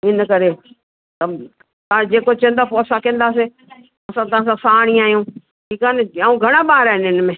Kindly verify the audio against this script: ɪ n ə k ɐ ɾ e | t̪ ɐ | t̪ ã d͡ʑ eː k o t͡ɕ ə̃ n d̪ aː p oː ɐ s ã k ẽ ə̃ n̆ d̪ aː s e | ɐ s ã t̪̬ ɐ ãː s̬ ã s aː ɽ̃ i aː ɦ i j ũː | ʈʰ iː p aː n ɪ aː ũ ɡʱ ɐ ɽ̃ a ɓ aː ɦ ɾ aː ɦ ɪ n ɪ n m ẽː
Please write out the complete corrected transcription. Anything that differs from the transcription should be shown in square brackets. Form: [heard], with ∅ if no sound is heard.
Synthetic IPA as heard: ɪ n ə k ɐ ɾ e | t̪ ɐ | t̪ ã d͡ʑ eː k o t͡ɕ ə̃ n d̪ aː p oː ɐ s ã k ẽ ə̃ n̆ d̪ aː s e | ɐ s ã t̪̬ ɐ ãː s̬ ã s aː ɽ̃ i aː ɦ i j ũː | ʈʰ iː [k] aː n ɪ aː ũ ɡʱ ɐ ɽ̃ a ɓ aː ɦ ɾ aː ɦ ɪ n ɪ n m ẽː